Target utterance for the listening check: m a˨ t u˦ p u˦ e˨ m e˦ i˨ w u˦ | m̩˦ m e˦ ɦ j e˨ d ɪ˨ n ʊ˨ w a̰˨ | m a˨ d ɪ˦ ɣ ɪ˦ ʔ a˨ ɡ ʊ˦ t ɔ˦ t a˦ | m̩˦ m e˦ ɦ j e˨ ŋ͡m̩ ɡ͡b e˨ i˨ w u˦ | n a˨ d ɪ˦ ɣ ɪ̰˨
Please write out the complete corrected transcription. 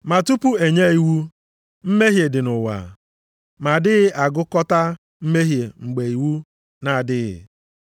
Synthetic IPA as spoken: m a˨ t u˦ p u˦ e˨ ɲ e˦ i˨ w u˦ | m̩˦ m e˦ ɦ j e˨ d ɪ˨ n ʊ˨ w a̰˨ | m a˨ d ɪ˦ ɣ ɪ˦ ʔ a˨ ɡ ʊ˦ k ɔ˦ t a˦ | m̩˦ m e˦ ɦ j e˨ ŋ͡m̩ ɡ͡b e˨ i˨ w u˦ | n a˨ d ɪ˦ ɣ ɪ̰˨

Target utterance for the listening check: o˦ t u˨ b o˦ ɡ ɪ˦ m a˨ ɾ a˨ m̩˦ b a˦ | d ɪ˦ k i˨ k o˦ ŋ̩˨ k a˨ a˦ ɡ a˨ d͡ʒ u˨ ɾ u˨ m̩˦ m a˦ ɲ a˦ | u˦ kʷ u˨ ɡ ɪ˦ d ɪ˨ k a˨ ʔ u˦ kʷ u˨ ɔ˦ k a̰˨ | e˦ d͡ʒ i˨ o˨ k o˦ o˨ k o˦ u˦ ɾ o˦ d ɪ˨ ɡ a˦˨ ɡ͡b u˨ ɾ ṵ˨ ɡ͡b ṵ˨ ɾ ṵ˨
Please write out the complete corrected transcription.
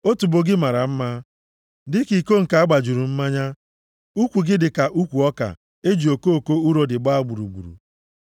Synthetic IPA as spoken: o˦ t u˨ b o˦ ɡ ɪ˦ m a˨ ɾ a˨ m̩˦ m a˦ | d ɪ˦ k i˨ k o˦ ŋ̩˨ k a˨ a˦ ɡ͡b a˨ d͡ʒ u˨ ɾ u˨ m̩˦ m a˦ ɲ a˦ | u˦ kʷ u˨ ɡ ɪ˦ d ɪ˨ k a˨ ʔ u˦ kʷ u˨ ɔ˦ k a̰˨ | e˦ d͡ʒ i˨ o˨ k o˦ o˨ k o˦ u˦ ɾ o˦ d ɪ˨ ɡ͡b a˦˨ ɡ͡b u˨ ɾ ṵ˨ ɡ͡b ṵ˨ ɾ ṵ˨

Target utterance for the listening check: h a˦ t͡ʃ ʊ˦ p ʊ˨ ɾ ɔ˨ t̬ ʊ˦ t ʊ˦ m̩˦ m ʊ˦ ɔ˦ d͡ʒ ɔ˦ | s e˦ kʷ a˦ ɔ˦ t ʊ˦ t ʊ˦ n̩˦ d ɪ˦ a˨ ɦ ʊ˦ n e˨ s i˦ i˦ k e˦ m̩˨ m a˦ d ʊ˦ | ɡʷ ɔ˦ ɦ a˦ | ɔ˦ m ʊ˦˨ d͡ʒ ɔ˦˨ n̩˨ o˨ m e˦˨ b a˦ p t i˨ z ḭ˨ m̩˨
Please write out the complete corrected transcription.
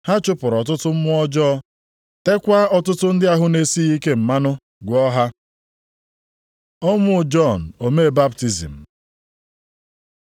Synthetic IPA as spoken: h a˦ t͡ʃ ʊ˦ p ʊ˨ ɾ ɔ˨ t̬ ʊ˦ t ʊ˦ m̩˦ m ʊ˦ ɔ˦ d͡ʒ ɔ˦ | t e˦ kʷ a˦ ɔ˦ t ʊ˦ t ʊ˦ n̩˦ d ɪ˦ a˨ ɦ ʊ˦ n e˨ s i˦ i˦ k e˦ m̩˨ m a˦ n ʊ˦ | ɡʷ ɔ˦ ɦ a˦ | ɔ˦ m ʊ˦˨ d͡ʒ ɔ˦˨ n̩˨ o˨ m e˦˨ b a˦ p t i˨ z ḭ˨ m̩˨

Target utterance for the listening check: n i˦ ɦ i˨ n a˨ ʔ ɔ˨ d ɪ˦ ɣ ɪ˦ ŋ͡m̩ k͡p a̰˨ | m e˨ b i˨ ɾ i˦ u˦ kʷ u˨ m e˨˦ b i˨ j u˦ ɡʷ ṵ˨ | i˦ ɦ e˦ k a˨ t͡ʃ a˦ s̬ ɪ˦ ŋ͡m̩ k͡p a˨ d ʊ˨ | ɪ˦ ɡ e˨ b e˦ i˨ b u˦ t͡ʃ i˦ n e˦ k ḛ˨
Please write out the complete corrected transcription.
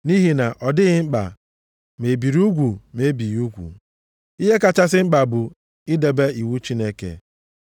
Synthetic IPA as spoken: n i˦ ɦ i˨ n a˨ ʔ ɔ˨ d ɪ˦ ɣ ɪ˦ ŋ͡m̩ k͡p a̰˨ | m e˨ b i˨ ɾ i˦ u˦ ɡʷ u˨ m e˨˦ b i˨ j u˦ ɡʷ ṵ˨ | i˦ ɦ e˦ k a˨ t͡ʃ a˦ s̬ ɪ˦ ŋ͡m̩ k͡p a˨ b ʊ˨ | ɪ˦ d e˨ b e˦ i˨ w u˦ t͡ʃ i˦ n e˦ k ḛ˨

